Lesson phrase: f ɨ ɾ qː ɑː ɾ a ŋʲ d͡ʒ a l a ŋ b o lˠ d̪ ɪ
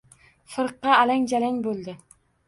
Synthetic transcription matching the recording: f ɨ ɾ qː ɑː l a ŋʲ d͡ʒ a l a ŋ b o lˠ d̪ ɪ